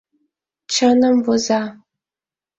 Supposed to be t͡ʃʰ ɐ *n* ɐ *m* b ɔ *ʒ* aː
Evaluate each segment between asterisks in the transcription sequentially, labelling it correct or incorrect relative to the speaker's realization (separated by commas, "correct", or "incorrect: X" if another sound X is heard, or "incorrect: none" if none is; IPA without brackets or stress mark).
correct, correct, incorrect: z